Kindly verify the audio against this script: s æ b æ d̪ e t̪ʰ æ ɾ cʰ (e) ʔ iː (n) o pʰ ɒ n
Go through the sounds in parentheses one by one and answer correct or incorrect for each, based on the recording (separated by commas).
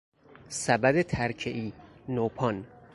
correct, correct